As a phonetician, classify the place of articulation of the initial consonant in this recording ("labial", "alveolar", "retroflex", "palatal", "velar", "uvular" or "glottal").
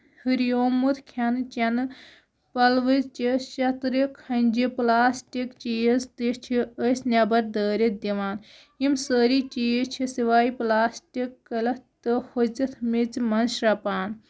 glottal